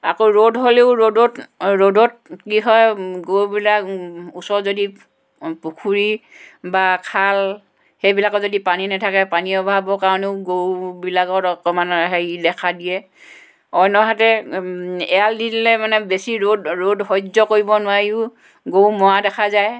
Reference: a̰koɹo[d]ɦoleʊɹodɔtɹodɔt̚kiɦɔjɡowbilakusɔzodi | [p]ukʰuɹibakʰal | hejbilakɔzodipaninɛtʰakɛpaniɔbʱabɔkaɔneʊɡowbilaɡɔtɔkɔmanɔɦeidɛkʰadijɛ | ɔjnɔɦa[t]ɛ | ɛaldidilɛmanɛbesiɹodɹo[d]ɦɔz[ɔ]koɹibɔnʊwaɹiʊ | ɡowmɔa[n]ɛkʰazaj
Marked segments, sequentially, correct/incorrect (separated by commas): correct, correct, correct, correct, correct, incorrect